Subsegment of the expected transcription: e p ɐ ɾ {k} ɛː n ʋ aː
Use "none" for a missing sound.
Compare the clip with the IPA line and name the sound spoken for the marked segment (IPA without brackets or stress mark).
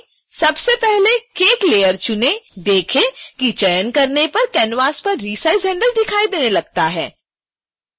k